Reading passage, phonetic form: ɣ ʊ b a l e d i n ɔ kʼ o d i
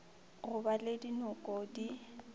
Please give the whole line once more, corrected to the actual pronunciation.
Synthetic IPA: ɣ ʊ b a l e d i n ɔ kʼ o d i